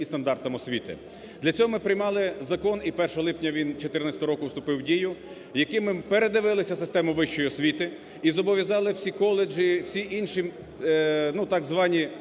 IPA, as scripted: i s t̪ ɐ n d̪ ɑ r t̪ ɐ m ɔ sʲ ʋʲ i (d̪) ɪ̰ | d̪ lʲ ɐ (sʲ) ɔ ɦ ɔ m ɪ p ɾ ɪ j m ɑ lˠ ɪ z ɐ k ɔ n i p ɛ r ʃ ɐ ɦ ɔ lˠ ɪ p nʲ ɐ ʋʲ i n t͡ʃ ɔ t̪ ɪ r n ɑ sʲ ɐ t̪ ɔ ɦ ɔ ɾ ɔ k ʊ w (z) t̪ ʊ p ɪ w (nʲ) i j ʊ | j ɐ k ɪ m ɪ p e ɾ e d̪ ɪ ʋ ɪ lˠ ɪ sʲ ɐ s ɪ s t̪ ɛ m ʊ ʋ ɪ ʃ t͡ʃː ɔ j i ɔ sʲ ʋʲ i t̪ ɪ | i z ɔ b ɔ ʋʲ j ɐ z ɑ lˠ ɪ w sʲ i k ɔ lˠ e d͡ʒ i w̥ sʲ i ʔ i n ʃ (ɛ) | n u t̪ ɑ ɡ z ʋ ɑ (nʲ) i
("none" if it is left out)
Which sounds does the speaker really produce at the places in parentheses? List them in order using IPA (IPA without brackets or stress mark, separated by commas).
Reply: t̪, t͡sʲ, s, dʲ, i, nʲ